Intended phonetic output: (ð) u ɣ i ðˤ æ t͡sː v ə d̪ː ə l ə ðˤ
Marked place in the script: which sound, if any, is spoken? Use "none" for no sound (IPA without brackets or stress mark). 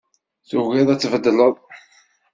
θ